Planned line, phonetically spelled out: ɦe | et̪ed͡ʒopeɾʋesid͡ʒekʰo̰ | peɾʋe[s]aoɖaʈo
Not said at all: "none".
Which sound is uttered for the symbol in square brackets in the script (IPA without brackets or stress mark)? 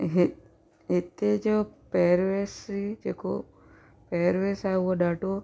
s